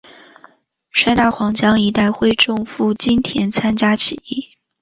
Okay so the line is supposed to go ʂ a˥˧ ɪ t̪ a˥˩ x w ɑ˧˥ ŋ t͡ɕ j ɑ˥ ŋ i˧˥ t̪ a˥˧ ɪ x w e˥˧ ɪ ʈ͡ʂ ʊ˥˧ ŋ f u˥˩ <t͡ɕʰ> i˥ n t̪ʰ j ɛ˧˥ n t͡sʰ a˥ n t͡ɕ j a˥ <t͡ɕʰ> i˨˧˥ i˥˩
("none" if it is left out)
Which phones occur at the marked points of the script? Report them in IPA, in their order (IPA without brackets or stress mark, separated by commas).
t͡ɕ, t͡ɕʰ